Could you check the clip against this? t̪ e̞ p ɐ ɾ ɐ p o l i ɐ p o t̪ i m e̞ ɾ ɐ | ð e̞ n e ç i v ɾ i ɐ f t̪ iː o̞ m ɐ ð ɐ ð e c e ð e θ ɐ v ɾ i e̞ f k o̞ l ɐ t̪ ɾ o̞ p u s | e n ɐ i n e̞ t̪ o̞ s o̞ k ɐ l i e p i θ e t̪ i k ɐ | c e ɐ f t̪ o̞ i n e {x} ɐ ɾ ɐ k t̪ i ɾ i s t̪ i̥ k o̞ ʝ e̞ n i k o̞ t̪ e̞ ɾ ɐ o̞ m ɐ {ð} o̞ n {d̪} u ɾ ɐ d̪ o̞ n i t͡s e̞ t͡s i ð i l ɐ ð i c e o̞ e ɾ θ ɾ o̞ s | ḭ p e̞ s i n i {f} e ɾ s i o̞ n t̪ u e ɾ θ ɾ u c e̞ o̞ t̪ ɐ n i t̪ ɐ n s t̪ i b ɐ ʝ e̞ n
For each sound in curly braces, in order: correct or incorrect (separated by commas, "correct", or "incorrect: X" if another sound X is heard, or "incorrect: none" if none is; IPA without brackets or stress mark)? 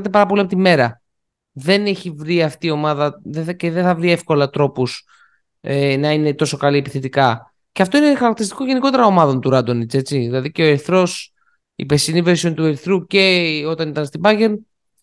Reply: correct, correct, incorrect: t̪, incorrect: v